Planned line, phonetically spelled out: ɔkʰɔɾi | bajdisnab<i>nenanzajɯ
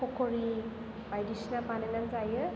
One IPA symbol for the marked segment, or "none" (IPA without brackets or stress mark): a